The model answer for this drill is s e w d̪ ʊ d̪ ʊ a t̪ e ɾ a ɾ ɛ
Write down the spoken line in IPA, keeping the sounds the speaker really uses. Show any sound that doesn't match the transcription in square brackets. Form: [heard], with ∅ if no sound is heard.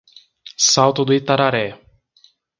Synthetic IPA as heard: s [a] w [t̪] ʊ d̪ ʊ [i] t̪ [a] ɾ a ɾ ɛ